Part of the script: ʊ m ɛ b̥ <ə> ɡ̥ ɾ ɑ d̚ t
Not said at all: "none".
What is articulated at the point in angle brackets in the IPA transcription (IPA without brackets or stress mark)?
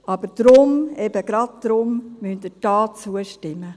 ə